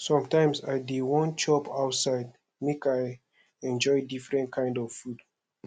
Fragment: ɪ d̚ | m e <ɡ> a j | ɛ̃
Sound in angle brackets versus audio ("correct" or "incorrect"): incorrect